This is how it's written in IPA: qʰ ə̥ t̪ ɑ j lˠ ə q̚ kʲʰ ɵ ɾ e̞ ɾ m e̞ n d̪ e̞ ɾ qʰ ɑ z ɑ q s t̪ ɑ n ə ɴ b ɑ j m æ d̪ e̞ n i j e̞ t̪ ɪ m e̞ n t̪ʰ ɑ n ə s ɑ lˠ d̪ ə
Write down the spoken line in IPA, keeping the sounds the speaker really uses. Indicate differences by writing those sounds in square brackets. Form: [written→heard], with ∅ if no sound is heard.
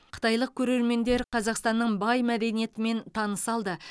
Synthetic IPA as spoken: qʰ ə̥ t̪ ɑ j lˠ ə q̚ kʲʰ ɵ ɾ e̞ ɾ m e̞ n d̪ e̞ ɾ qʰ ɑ z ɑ q s t̪ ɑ [n→nː] ə ɴ b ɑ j m æ d̪ e̞ n i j e̞ t̪ ɪ m e̞ n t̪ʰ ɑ n ə s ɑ lˠ d̪ ə